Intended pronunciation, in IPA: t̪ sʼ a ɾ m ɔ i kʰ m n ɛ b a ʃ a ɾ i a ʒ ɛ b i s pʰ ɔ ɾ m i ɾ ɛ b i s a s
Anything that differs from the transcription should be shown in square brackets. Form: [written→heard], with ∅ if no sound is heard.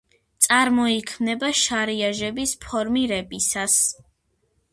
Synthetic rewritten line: t̪ sʼ a ɾ m ɔ i kʰ m n ɛ b a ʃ a ɾ i a ʒ ɛ b i s pʰ ɔ ɾ m i ɾ ɛ b i s a s